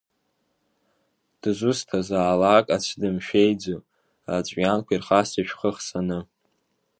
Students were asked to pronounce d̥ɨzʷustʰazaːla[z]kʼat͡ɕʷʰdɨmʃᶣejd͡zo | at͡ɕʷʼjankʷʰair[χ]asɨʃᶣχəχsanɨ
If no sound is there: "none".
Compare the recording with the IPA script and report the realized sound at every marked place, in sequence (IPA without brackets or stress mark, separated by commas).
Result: none, χ